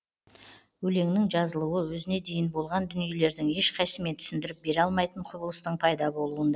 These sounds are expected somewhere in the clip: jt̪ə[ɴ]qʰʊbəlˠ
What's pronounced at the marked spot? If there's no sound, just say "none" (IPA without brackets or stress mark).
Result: ɴ